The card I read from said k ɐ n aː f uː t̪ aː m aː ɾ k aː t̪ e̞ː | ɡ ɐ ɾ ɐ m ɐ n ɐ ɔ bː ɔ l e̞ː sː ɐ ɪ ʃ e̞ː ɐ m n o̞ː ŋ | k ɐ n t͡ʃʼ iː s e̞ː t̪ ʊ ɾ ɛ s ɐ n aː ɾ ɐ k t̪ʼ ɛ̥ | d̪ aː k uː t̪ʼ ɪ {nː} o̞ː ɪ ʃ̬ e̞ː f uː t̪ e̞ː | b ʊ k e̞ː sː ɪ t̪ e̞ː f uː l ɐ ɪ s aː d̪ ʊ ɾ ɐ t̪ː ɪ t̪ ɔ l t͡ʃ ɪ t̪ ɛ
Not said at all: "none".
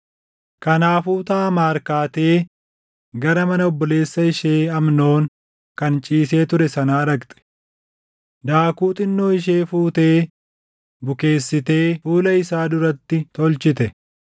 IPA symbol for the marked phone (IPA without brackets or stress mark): nː